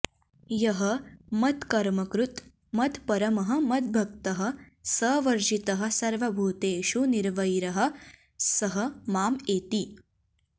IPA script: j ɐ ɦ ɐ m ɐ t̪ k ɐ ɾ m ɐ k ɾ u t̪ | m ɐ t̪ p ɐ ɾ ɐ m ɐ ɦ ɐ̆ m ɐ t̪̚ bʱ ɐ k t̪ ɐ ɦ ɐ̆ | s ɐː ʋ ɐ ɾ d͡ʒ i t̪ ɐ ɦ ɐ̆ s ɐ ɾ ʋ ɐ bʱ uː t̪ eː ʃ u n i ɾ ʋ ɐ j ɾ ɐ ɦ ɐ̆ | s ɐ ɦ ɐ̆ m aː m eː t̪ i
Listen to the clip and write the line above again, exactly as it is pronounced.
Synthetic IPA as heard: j ɐ ɦ ɐ m ɐ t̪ k ɐ ɾ m ɐ k ɾ u t̪ | m ɐ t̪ p ɐ ɾ ɐ m ɐ ɦ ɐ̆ m ɐ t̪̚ bʱ ɐ k t̪ ɐ ɦ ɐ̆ | s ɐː ʋ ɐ ɾ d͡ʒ i t̪ ɐ ɦ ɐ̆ s ɐ ɾ ʋ ɐ bʱ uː t̪ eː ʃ u n i ɾ ʋ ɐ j ɾ ɐ ɦ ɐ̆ | s ɐ ɦ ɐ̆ m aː m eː t̪ i